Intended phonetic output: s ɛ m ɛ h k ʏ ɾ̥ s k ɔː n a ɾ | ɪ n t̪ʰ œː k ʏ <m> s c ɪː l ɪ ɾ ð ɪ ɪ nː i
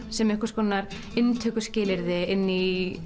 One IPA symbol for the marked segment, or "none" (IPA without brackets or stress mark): none